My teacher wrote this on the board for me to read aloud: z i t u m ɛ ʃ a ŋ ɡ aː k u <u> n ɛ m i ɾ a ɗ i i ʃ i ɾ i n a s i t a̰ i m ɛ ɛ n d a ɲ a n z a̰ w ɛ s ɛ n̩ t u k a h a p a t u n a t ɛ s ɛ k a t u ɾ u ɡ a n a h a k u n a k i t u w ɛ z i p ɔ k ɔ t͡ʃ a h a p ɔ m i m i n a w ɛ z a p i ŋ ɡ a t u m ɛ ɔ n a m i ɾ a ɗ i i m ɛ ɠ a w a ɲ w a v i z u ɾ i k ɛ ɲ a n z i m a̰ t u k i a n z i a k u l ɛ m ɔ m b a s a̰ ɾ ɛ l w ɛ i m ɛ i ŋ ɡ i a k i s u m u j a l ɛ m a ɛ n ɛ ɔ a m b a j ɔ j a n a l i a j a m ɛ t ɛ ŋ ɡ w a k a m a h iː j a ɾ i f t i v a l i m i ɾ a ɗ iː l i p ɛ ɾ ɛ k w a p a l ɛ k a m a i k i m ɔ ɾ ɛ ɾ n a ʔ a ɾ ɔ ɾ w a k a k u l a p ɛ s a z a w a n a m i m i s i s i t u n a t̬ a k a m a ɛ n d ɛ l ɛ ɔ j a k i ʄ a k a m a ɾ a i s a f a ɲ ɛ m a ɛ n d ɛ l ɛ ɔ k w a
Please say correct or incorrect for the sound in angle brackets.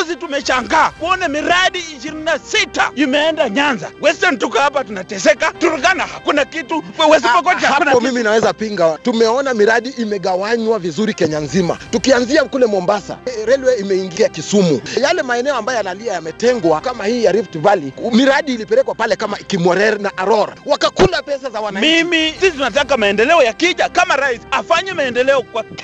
incorrect